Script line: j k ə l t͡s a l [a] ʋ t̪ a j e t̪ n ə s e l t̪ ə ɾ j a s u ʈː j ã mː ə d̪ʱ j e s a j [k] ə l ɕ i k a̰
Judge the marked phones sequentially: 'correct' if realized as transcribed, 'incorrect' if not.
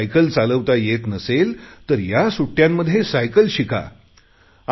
incorrect: ə, correct

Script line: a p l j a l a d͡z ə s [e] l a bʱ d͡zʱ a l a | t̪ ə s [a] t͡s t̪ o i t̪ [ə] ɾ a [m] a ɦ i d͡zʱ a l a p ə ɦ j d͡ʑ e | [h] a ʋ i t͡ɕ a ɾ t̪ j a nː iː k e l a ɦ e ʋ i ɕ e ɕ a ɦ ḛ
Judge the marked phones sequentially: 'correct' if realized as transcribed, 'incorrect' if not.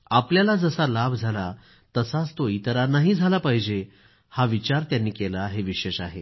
incorrect: a, correct, correct, incorrect: n, correct

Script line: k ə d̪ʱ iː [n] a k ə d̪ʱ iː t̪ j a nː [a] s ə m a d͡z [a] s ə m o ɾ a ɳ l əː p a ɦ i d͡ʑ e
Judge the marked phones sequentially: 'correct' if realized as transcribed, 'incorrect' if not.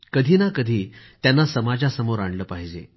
correct, correct, correct

